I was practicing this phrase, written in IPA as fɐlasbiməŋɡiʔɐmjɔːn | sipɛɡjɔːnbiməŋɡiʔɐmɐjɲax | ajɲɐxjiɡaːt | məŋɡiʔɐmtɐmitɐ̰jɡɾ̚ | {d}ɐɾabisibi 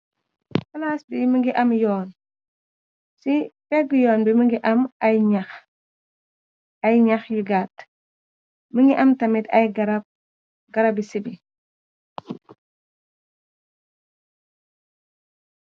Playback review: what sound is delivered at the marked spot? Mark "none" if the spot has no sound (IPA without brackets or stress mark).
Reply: ɡ